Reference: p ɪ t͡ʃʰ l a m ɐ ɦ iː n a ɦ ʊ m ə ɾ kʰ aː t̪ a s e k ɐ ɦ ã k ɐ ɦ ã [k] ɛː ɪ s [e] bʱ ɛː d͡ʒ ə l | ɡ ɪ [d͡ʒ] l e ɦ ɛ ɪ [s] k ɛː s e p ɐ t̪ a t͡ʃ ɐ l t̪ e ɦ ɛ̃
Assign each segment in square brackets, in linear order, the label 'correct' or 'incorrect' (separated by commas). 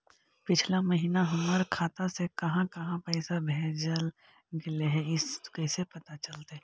incorrect, incorrect, incorrect, correct